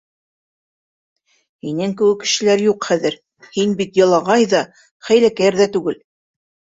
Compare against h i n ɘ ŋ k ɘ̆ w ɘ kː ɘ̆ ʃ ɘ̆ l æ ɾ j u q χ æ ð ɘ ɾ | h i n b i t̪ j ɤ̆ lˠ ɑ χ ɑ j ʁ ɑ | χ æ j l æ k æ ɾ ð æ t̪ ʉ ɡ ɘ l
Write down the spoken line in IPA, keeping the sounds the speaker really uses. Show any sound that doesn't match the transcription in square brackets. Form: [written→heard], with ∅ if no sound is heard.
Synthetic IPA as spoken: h i n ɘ ŋ k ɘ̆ w ɘ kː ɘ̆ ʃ ɘ̆ l æ ɾ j u q χ æ ð ɘ ɾ | h i n b i t̪ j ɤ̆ lˠ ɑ [χ→ʁ] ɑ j [ʁ→ð] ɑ | χ æ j l æ k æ ɾ ð æ t̪ ʉ ɡ ɘ l

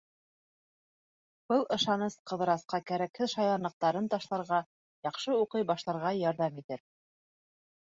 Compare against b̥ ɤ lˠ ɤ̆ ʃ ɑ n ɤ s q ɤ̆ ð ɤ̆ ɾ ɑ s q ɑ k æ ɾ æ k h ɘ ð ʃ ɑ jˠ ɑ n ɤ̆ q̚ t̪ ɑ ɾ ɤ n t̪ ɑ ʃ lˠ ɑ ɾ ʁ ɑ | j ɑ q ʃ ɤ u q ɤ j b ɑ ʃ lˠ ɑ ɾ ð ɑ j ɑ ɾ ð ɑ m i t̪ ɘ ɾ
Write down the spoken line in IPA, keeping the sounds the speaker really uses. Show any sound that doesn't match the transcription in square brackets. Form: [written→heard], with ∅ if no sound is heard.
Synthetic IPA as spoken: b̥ ɤ lˠ ɤ̆ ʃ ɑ n ɤ s q ɤ̆ ð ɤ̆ ɾ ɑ s q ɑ k æ ɾ æ k h ɘ ð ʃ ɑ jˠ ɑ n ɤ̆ q̚ t̪ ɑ ɾ ɤ n t̪ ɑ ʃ lˠ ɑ ɾ ʁ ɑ | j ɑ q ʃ ɤ u q ɤ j b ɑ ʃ lˠ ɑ ɾ [ð→ʁ] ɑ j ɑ ɾ ð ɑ m i t̪ ɘ ɾ

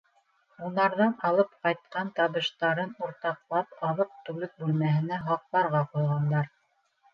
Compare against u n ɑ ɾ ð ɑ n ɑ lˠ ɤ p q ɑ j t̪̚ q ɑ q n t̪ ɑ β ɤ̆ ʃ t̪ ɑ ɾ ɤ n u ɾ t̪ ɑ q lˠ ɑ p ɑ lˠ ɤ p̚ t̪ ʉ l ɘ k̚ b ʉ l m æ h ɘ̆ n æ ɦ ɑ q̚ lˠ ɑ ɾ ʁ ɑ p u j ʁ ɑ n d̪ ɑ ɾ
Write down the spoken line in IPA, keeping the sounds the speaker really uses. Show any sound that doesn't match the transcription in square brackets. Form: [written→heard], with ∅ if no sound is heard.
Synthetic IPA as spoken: u n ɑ ɾ ð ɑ n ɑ lˠ ɤ p q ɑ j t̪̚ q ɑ [q→∅] n t̪ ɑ β ɤ̆ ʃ t̪ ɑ ɾ ɤ n u ɾ t̪ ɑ q lˠ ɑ p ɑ lˠ ɤ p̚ t̪ ʉ l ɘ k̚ b ʉ l m æ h ɘ̆ n æ ɦ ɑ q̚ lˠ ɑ ɾ ʁ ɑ [p→q] u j ʁ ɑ n d̪ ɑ ɾ

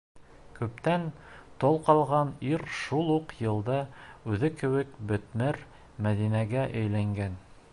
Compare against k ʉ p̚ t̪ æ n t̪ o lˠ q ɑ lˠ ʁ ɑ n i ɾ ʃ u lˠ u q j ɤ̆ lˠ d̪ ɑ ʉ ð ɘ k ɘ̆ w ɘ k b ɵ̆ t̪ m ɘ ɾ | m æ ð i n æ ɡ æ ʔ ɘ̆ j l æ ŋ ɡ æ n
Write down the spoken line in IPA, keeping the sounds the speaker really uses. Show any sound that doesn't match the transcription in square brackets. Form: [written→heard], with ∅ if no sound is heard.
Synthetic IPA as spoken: k ʉ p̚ t̪ æ n t̪ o lˠ q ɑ lˠ ʁ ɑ n i ɾ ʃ u lˠ u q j ɤ̆ lˠ d̪ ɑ ʉ ð ɘ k ɘ̆ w ɘ k b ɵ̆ t̪ m ɘ ɾ | m æ ð i n æ ɡ æ ʔ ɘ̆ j l æ ŋ ɡ æ n

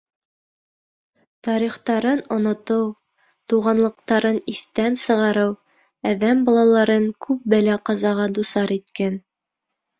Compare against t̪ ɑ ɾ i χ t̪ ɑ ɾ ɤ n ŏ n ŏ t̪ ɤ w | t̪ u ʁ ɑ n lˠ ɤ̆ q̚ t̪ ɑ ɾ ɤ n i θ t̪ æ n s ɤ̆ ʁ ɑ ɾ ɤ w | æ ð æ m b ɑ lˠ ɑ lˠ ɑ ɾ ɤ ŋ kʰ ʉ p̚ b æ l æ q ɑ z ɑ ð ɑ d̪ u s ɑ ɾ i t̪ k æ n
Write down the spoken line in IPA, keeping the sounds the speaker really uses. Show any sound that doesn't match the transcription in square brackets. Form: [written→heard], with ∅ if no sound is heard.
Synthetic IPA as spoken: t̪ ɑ ɾ i χ t̪ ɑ ɾ ɤ n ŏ n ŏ t̪ ɤ w | t̪ u ʁ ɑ n lˠ ɤ̆ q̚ t̪ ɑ ɾ ɤ n i θ t̪ æ n s ɤ̆ ʁ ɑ ɾ ɤ w | æ ð æ m b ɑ lˠ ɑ lˠ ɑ ɾ ɤ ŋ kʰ ʉ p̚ b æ l æ q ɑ z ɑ [ð→ʁ] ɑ d̪ u s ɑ ɾ i t̪ k æ n

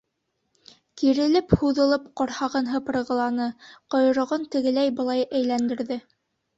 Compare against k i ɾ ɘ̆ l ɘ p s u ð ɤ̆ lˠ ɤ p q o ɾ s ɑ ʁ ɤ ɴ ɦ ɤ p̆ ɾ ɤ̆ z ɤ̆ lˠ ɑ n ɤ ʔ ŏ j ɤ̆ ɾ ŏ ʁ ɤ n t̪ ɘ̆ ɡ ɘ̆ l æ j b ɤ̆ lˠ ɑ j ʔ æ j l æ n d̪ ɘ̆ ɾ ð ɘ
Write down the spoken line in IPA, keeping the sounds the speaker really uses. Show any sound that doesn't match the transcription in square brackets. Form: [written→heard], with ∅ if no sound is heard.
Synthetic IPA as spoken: k i ɾ ɘ̆ l ɘ p [s→h] u ð ɤ̆ lˠ ɤ p q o ɾ [s→h] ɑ ʁ ɤ [ɴ→n] ɦ ɤ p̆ ɾ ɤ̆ [z→ʁ] ɤ̆ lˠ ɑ n ɤ [ʔ→q] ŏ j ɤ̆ ɾ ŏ ʁ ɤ n t̪ ɘ̆ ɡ ɘ̆ l æ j b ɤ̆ lˠ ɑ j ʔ æ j l æ n d̪ ɘ̆ ɾ ð ɘ

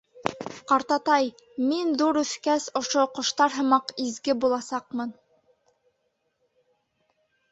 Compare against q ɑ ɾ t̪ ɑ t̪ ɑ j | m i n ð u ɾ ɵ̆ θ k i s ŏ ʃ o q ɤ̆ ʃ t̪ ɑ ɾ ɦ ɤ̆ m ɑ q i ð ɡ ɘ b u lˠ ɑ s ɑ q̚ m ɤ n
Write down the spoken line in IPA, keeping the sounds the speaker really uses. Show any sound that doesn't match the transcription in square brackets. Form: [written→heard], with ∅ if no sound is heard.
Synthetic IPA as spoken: q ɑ ɾ t̪ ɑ t̪ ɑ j | m i n ð u ɾ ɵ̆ θ k [i→æ] s ŏ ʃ o q [ɤ̆→ŏ] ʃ t̪ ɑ ɾ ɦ ɤ̆ m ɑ q i [ð→z] ɡ ɘ b u lˠ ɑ s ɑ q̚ m ɤ n

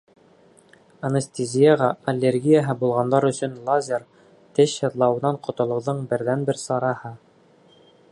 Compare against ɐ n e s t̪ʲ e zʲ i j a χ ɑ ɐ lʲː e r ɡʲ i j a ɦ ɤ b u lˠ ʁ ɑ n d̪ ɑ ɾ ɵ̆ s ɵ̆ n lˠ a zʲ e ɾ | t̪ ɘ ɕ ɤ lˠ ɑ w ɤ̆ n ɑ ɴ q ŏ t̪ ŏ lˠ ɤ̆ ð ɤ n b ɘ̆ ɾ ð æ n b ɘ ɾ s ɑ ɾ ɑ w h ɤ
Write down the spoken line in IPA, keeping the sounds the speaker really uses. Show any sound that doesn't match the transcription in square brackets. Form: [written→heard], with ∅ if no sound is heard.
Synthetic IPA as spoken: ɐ n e s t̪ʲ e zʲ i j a [χ→ʁ] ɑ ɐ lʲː e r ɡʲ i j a ɦ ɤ b u lˠ ʁ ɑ n d̪ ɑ ɾ ɵ̆ s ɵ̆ n lˠ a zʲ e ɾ | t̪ ɘ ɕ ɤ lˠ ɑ w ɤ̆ n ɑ ɴ q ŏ t̪ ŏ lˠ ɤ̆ ð ɤ [n→ɴ] b ɘ̆ ɾ ð æ n b ɘ ɾ s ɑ ɾ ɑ [w→∅] h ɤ

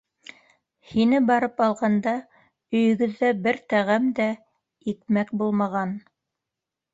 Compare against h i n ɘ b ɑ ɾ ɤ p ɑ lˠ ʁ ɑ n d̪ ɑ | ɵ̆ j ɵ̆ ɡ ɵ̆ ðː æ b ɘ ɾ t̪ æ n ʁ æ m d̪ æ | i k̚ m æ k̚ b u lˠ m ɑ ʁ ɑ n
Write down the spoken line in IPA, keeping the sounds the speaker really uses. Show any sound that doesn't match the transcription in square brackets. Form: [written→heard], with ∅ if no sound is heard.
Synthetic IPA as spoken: h i n ɘ b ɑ ɾ ɤ p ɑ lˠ ʁ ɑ n d̪ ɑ | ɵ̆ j ɵ̆ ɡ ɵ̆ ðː æ b ɘ ɾ t̪ æ [n→∅] ʁ æ m d̪ æ | i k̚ m æ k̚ b u lˠ m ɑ ʁ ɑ n

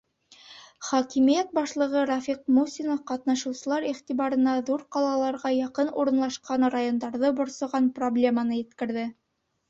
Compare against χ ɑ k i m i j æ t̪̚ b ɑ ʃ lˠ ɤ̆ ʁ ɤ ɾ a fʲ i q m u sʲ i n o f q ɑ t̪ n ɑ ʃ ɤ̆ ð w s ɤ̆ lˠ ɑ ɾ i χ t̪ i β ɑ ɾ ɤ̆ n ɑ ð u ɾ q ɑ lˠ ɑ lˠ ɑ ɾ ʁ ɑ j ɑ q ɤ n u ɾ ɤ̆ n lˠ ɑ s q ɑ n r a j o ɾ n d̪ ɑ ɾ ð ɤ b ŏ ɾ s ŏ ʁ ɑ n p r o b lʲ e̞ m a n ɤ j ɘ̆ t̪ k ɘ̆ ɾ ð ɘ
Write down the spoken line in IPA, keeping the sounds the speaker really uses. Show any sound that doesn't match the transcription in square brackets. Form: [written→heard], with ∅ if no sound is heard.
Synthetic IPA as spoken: χ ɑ k i m i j æ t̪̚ b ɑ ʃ lˠ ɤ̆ ʁ ɤ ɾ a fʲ i q m u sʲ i n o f q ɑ t̪ n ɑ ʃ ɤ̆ [ð→∅] w s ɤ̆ lˠ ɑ ɾ i χ t̪ i β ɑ ɾ ɤ̆ n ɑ ð u ɾ q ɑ lˠ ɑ lˠ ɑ ɾ ʁ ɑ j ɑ q ɤ n u ɾ ɤ̆ n lˠ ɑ [s→ʃ] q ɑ n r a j o [ɾ→∅] n d̪ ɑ ɾ ð ɤ b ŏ ɾ s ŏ ʁ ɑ n p r o b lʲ e̞ m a n ɤ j ɘ̆ t̪ k ɘ̆ ɾ ð ɘ

